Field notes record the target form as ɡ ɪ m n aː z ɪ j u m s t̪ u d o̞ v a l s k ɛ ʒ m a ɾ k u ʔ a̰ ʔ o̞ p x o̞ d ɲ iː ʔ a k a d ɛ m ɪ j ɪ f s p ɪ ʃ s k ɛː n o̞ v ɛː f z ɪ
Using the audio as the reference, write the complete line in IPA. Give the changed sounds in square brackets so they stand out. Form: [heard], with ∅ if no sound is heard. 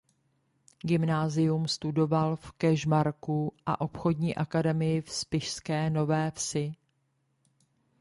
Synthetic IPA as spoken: ɡ ɪ m n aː z ɪ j u m s t̪ u d o̞ v a l [f] k ɛ ʒ m a ɾ k u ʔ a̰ ʔ o̞ p x o̞ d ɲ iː ʔ a k a d ɛ m ɪ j ɪ f s p ɪ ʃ s k ɛː n o̞ v ɛː f [s] ɪ